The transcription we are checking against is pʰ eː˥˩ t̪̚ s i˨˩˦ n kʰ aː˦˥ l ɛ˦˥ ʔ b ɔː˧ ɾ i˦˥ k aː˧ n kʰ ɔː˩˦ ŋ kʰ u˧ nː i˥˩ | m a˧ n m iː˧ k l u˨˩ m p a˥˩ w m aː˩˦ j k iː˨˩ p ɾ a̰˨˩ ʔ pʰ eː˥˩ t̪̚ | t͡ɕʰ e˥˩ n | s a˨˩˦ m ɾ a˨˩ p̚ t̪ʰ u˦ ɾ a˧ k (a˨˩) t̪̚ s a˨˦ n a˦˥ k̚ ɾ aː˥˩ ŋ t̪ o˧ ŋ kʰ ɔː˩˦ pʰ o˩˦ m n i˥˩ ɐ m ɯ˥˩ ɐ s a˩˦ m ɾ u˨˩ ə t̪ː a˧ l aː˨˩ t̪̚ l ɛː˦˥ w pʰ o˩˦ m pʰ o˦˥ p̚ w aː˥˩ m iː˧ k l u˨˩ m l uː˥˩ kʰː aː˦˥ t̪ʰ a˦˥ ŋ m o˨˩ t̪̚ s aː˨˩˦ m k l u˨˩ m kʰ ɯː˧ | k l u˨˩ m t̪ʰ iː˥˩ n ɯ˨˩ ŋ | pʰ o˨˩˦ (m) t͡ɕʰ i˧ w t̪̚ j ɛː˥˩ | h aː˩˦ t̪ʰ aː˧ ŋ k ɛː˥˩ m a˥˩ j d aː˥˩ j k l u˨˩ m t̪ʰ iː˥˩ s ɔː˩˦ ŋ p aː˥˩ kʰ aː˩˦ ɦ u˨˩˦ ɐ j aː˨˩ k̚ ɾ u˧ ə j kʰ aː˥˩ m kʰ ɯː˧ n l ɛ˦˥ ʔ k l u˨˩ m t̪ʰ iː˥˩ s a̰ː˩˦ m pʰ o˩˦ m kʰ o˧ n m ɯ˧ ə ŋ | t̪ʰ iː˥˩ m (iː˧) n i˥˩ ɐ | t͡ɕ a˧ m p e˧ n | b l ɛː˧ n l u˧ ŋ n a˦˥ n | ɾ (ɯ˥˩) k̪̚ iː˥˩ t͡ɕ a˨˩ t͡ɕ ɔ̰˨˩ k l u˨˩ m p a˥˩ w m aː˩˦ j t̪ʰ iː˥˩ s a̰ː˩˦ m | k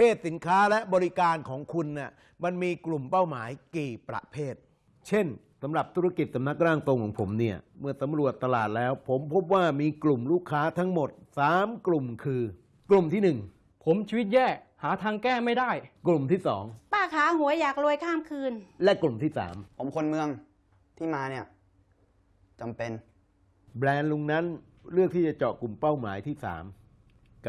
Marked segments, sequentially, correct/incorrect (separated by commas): incorrect, correct, incorrect, correct